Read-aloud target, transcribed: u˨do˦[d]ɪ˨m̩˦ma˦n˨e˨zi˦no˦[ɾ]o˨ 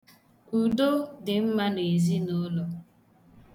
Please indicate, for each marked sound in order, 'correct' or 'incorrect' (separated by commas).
correct, incorrect